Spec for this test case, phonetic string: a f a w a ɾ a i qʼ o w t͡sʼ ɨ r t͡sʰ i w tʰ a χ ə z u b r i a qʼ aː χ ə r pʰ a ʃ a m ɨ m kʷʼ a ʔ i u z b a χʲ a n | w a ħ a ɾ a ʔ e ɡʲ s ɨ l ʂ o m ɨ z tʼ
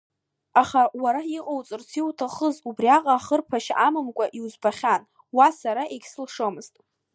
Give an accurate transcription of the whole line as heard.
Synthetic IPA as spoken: a χ a w a ɾ a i qʼ o w t͡sʼ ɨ r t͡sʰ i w tʰ a χ ə z u b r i a qʼ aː χ ə r pʰ a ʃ a m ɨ m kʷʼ a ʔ i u z b a χʲ a n | w a s a ɾ a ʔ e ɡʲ s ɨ l ʂ o m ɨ z tʼ